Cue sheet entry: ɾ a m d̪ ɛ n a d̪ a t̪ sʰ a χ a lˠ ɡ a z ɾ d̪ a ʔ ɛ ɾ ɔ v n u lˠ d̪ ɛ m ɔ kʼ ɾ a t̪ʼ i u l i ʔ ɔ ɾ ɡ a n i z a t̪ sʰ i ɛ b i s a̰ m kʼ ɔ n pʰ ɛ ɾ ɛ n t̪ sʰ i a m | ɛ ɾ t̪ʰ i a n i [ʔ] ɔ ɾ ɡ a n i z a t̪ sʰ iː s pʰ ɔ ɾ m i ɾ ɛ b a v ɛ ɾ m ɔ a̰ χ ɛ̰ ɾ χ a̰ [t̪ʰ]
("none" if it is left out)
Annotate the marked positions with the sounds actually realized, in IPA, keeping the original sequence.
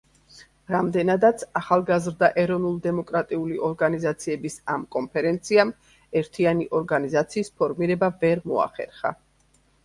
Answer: ʔ, none

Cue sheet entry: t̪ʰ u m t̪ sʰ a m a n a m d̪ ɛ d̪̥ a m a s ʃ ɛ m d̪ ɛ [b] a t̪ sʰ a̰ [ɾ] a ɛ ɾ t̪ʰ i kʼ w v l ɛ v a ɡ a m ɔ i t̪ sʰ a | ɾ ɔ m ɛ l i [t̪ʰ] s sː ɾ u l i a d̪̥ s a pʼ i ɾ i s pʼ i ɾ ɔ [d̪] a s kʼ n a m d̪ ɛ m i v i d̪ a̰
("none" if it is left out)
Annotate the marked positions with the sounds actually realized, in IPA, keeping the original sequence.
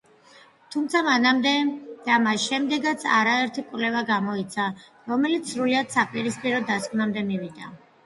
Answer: ɡ, ɾ, t̪, d̪

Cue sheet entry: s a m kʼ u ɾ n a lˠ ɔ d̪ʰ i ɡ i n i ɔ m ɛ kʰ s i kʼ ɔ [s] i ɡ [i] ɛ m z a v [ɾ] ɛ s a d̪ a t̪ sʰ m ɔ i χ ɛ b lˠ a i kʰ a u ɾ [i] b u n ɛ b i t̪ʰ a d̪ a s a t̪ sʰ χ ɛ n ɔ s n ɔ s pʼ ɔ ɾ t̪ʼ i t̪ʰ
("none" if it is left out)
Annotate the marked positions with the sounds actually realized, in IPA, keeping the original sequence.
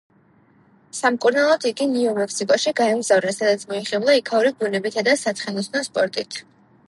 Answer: ʃ, a, ɾ, i

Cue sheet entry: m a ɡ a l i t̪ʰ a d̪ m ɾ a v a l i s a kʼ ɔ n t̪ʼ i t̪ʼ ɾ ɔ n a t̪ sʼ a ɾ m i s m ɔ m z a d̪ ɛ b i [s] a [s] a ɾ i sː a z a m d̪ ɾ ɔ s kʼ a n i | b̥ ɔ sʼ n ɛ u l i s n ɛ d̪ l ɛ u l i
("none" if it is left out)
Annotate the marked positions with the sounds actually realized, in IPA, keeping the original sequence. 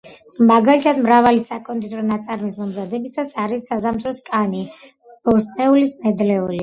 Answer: s, s

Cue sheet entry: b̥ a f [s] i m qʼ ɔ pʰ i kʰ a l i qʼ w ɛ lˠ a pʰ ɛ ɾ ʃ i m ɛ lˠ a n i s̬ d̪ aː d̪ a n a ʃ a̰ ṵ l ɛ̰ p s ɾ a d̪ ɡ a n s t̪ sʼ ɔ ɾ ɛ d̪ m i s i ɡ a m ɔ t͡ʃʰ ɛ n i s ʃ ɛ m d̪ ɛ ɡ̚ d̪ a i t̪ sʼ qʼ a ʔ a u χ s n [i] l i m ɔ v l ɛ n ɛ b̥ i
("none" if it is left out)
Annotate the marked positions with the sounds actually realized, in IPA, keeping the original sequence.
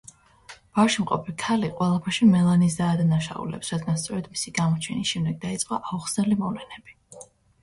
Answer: ʃ, ɛ

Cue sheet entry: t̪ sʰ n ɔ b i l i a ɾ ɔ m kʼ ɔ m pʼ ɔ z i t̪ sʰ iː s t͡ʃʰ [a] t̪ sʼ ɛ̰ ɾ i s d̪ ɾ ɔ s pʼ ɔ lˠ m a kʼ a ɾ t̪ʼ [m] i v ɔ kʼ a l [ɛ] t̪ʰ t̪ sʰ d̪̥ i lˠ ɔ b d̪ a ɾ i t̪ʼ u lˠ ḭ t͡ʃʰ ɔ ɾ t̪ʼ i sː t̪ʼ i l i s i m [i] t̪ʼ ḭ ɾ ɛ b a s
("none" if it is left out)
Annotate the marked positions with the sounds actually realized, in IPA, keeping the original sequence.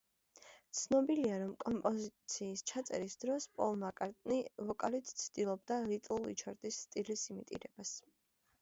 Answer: a, n, i, i

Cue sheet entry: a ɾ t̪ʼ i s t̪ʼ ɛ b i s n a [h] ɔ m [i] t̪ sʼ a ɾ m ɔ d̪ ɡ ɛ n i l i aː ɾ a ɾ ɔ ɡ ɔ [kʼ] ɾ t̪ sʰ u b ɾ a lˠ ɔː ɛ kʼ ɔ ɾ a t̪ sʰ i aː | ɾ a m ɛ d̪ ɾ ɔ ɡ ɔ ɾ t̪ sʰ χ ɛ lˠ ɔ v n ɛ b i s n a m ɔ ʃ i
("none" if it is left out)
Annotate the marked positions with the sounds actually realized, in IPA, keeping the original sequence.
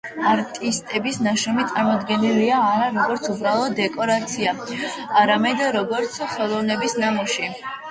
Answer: ʃ, i, none

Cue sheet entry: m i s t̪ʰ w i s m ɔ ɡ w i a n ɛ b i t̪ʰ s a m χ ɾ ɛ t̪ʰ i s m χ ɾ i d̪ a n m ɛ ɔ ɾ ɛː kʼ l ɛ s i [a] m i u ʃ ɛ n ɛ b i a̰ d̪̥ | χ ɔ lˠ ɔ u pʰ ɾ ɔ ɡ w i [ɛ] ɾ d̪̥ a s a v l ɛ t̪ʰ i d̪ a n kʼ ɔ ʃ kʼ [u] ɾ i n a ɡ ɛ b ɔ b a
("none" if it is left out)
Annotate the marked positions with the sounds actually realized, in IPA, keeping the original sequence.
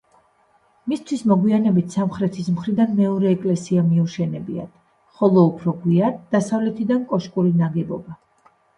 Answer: a, a, u

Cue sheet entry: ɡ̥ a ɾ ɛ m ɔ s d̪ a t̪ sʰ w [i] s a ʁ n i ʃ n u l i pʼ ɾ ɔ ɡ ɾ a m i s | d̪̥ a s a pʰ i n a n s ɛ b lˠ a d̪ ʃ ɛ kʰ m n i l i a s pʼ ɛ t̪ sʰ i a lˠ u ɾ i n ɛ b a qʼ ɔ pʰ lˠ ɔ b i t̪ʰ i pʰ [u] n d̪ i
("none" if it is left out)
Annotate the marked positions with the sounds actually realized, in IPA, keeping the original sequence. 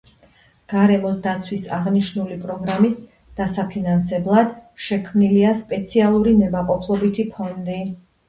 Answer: i, ɔ

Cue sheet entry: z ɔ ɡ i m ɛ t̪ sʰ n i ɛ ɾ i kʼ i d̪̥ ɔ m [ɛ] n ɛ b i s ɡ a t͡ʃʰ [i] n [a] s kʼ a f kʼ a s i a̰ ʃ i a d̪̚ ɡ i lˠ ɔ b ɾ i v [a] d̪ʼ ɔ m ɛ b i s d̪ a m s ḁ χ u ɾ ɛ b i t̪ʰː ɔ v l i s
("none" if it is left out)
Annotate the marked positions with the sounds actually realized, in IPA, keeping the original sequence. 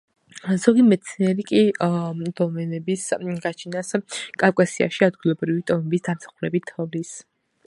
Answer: ɛ, i, a, i

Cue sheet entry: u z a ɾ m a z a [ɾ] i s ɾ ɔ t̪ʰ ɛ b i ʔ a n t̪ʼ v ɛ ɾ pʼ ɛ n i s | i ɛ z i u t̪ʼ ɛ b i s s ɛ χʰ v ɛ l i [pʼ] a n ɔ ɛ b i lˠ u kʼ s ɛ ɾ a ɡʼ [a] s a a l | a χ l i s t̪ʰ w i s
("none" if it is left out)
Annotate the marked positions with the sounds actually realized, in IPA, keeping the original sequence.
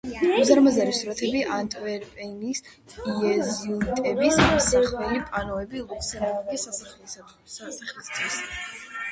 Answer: ɾ, pʼ, i

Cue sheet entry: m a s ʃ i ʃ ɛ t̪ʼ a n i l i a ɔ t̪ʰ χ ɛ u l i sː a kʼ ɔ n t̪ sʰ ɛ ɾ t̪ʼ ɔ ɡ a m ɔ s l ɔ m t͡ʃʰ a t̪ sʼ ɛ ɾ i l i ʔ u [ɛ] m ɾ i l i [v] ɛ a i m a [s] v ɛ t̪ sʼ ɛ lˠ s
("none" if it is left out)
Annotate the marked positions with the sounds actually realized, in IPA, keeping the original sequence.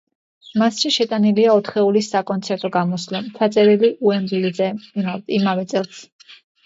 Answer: ɛ, z, none

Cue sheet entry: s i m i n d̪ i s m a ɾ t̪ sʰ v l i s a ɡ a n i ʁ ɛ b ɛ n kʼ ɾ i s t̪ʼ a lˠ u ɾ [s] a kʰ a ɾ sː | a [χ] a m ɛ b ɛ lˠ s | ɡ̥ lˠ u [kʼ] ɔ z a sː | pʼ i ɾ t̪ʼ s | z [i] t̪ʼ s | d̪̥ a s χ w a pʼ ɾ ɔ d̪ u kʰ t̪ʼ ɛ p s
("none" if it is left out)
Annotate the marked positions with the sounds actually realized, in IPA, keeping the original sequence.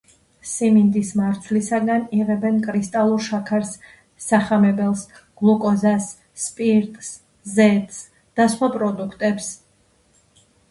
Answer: ʃ, χ, kʼ, ɛ

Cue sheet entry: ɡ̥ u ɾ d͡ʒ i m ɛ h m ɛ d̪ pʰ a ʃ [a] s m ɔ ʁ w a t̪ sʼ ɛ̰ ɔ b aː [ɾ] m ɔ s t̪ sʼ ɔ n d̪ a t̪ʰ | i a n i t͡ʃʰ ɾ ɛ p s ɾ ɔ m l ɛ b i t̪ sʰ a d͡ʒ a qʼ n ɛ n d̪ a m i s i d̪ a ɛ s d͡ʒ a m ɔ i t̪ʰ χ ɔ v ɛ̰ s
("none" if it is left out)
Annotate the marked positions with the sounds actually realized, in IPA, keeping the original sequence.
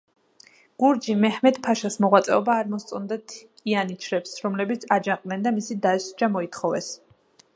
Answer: a, ɾ

